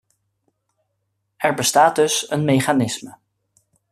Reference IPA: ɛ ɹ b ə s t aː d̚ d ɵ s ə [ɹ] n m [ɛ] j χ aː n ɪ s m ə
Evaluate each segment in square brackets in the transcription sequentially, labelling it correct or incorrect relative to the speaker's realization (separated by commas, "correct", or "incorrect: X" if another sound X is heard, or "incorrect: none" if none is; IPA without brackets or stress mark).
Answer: incorrect: none, incorrect: e